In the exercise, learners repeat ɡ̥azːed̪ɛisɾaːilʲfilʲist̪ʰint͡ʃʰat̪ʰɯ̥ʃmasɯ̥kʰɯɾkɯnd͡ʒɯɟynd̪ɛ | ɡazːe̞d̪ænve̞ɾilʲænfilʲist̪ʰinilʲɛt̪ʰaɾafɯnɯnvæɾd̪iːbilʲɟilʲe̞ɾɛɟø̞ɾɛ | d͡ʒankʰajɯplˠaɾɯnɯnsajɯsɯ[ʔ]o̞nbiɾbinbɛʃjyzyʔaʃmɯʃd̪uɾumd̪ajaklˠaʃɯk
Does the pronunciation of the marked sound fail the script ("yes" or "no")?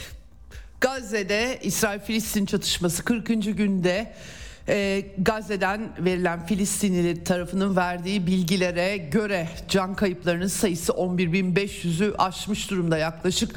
no